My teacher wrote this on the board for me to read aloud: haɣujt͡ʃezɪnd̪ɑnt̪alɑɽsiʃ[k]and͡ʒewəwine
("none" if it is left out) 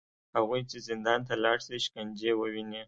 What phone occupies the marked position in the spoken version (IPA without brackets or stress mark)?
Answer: k